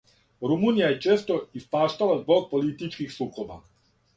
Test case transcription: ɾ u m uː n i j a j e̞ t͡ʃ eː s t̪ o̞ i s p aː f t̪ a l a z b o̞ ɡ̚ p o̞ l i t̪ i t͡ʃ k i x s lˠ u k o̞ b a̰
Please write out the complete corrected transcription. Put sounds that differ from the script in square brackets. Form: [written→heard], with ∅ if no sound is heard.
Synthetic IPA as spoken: ɾ u m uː n i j a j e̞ t͡ʃ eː s t̪ o̞ i s p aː [f→ʃ] t̪ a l a z b o̞ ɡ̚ p o̞ l i t̪ i t͡ʃ k i x s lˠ u k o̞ b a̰